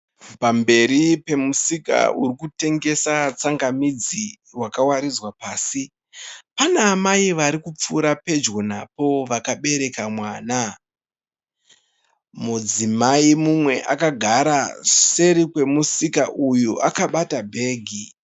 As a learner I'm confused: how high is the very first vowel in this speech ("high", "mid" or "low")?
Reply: low